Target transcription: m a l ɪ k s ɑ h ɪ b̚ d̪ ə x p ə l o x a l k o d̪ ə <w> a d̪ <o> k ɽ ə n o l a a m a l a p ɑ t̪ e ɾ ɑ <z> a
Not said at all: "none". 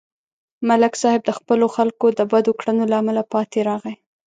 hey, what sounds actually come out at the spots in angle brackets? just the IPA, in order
b, o, ɣ

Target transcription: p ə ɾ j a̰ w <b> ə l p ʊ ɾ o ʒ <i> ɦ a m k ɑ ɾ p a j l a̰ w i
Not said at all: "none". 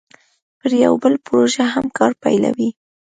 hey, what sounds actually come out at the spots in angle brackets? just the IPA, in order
b, a

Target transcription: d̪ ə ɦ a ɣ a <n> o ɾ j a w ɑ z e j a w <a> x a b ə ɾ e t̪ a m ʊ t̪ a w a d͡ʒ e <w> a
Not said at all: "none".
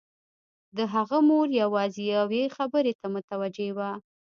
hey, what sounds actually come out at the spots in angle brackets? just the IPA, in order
m, e, w

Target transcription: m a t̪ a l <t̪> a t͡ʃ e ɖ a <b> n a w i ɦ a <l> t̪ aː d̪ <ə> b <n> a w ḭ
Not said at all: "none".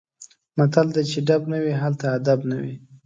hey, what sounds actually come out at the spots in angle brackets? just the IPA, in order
d̪, b, l, a, n

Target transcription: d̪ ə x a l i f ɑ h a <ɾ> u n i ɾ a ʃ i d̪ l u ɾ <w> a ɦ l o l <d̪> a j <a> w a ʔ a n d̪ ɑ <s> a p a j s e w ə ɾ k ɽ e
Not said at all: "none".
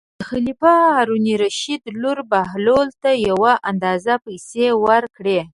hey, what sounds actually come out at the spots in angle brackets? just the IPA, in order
ɾ, b, t̪, a, z

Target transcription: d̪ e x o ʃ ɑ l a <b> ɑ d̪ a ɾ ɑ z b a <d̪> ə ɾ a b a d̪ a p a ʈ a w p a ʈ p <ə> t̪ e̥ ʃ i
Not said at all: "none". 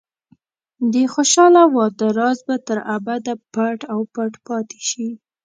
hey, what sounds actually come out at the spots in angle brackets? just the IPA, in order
w, t̪, ɑ

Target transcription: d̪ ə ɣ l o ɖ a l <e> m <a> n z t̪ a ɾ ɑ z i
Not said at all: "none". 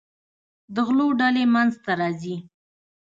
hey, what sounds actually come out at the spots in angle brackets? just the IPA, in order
e, a

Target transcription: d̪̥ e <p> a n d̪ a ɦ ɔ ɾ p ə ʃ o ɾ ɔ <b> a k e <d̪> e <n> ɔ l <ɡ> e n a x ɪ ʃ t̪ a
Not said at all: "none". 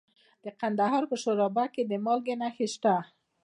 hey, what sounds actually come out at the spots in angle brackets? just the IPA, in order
q, b, d̪, m, ɡ

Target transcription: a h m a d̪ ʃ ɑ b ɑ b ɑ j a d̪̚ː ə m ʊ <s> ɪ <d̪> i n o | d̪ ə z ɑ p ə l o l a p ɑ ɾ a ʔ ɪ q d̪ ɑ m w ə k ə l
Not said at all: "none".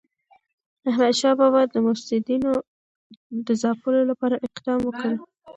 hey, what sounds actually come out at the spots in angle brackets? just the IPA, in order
s, d̪

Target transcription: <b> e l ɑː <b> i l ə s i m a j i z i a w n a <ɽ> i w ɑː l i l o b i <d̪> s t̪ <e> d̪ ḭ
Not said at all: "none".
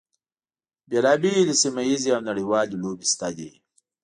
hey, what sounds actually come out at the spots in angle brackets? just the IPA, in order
b, b, ɽ, none, a

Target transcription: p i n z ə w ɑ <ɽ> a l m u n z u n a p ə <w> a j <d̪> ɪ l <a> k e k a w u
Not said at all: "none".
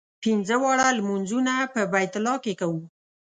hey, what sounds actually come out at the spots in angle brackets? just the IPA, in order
ɽ, b, t̪, ɑ

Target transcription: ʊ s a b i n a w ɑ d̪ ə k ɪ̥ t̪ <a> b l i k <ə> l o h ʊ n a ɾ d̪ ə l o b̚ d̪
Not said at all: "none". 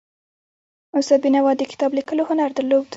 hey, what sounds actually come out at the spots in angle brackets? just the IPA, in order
ɑ, ə

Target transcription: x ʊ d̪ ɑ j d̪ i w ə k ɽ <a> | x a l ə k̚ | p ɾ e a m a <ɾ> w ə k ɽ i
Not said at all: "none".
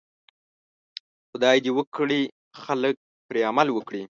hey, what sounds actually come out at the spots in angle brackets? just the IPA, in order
i, l

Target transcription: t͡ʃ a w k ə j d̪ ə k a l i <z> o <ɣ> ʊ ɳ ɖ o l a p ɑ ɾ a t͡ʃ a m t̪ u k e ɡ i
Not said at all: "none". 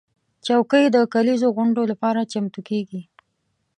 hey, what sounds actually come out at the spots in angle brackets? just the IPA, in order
z, ɣ

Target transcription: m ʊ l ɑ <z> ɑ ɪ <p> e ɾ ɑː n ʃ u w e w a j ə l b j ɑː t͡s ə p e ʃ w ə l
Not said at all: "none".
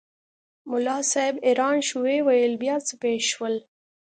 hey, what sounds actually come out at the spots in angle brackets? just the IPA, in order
s, b

